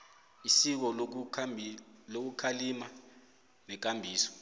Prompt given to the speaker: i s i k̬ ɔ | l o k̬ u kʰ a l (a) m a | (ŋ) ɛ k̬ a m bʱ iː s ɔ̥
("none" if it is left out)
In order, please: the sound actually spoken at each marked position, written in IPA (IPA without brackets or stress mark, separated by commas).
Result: i, n